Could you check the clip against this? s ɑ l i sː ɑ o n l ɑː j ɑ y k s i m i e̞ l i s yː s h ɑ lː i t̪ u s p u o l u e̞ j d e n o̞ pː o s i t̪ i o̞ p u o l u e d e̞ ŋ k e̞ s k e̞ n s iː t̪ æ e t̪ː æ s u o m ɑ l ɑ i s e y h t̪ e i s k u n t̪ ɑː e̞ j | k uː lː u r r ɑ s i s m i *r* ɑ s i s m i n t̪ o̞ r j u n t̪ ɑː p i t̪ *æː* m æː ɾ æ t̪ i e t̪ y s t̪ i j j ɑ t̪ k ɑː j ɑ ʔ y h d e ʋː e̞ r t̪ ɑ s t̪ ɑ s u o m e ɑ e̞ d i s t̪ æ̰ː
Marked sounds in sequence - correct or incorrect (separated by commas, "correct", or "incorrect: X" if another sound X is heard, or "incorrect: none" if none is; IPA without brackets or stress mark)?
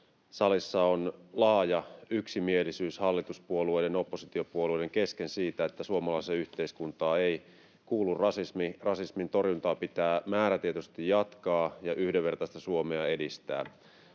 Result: correct, correct